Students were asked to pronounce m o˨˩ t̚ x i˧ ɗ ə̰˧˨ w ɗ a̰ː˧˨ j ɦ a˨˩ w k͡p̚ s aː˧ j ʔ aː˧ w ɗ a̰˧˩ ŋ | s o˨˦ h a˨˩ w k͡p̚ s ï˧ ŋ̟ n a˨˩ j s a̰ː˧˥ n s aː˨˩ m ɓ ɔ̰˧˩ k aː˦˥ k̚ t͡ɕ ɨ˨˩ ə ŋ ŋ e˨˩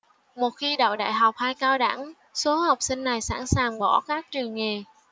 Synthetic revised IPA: m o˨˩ t̚ x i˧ ɗ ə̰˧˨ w ɗ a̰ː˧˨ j ɦ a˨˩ w k͡p̚ h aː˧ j k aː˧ w ɗ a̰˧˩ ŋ | s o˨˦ h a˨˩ w k͡p̚ s ï˧ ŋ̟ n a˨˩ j s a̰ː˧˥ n s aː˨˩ ŋ ɓ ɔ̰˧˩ k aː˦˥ k̚ t͡ɕ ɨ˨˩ ə ŋ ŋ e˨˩